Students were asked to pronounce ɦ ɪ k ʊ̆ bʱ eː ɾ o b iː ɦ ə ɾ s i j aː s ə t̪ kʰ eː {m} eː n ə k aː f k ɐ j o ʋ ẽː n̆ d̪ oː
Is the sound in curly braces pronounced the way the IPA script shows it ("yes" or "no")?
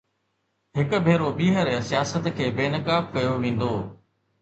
no